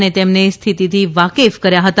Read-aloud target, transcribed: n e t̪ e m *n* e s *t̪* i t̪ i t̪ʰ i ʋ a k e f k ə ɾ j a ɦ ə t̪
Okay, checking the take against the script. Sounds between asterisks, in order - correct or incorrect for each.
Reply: correct, incorrect: t̪ʰ

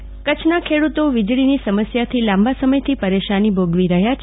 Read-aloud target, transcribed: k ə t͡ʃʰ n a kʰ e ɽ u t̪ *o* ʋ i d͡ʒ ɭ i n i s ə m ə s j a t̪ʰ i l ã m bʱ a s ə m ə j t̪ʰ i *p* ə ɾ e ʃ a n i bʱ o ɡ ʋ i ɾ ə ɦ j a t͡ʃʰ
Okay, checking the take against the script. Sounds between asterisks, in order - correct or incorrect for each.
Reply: correct, correct

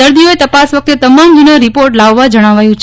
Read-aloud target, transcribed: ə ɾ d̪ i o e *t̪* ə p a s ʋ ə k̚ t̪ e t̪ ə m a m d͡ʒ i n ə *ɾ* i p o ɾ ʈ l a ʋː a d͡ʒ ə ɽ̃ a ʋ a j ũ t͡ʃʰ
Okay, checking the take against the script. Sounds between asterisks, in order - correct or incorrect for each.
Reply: correct, correct

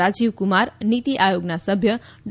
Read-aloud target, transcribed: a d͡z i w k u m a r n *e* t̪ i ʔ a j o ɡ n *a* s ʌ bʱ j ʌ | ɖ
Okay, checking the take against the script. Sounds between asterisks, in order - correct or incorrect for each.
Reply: incorrect: i, correct

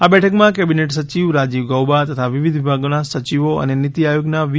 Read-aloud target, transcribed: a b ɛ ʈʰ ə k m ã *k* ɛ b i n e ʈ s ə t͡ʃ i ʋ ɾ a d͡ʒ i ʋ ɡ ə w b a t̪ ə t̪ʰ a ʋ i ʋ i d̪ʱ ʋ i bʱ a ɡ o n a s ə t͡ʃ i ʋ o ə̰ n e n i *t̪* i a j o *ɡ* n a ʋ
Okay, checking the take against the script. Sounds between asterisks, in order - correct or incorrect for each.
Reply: correct, correct, correct

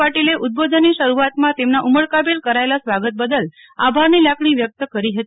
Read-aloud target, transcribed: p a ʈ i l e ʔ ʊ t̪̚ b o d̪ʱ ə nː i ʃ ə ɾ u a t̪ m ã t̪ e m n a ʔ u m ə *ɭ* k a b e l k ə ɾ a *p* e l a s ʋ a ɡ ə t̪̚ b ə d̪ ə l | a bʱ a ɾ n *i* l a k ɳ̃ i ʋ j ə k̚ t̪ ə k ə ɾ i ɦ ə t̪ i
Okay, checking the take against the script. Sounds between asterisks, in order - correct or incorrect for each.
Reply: correct, incorrect: none, correct

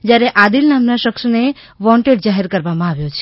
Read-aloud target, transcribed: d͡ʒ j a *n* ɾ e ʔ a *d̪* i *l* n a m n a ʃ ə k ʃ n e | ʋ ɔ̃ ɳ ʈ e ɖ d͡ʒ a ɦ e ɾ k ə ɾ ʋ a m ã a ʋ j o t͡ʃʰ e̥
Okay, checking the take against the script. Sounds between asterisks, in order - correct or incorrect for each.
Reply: incorrect: none, correct, correct

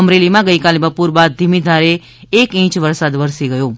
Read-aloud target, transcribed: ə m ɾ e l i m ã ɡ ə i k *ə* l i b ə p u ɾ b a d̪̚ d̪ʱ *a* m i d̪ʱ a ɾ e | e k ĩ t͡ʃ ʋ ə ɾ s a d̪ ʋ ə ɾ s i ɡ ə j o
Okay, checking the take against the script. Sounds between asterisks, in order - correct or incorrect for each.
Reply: incorrect: a, incorrect: i

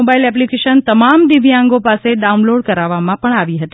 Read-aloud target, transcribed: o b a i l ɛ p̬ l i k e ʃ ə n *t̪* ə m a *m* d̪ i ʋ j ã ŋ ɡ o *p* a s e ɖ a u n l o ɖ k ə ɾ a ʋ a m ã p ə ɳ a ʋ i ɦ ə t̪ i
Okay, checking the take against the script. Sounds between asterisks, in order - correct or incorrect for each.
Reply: correct, correct, correct

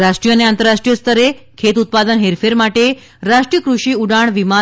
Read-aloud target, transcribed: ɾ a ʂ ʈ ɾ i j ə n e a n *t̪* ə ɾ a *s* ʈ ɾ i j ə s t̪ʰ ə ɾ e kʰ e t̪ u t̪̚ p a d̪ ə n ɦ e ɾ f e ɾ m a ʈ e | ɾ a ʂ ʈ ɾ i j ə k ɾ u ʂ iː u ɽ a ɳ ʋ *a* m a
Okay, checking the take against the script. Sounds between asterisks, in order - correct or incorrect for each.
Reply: correct, incorrect: ʂ, incorrect: i

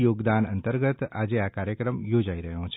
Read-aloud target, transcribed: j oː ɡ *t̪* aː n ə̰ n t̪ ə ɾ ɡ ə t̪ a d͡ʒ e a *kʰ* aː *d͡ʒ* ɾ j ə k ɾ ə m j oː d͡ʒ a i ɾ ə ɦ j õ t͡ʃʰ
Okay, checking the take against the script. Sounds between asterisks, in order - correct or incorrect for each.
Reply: incorrect: d̪, incorrect: k, incorrect: none

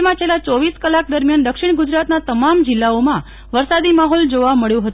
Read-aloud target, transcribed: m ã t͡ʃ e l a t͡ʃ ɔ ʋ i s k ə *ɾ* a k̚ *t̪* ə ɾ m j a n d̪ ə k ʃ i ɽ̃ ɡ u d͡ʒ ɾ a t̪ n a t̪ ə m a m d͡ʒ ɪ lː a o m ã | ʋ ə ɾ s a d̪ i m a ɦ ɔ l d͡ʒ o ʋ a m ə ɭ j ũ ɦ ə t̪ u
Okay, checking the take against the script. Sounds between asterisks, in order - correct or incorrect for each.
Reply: incorrect: l, incorrect: d̪

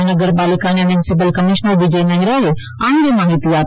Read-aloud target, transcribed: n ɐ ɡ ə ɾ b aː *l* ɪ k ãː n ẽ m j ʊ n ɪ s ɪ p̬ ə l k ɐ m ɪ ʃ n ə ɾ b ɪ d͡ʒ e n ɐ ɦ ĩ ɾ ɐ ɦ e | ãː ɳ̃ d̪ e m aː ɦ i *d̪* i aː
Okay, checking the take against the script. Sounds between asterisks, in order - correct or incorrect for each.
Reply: correct, incorrect: t̪

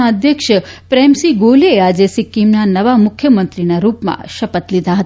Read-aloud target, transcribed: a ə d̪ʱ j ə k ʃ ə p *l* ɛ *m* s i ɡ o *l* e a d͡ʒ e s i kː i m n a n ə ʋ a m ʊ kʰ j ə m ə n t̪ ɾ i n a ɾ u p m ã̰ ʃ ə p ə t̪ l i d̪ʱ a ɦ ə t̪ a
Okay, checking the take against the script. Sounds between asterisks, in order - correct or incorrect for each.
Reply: incorrect: ɾ, correct, correct

